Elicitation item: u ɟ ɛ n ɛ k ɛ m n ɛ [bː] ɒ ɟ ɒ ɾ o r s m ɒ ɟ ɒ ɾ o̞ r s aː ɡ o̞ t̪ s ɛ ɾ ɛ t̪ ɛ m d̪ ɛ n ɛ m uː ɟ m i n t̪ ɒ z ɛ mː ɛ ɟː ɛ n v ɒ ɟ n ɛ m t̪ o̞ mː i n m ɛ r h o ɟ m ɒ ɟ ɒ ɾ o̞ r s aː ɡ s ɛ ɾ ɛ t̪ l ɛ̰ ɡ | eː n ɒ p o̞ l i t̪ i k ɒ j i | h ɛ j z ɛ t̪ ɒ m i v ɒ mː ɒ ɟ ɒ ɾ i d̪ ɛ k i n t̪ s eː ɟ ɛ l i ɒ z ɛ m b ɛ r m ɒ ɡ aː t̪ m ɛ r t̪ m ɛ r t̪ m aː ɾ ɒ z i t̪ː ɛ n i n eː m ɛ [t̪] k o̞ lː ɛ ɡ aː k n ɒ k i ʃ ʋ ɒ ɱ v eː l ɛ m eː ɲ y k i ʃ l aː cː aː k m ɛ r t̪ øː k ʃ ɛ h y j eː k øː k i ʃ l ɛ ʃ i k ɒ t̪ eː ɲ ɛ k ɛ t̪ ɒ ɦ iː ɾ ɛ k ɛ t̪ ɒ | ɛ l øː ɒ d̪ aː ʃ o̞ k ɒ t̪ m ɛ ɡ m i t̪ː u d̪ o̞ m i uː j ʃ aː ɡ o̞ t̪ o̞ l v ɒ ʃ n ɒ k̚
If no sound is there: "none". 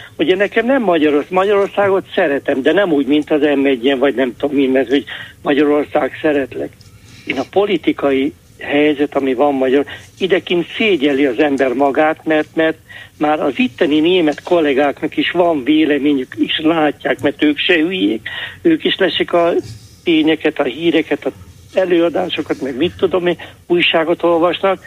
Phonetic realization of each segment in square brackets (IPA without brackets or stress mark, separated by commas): mː, t̪